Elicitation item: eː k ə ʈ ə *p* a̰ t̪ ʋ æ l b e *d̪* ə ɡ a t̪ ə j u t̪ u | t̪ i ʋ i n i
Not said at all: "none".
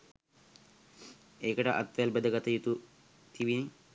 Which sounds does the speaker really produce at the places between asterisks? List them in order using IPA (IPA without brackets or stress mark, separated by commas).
ʔ, d̪